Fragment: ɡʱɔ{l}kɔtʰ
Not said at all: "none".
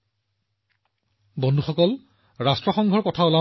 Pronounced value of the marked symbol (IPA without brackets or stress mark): ɹ